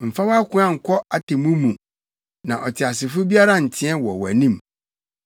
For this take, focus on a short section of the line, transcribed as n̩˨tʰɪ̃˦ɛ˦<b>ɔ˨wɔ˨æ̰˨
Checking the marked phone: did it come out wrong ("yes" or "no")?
yes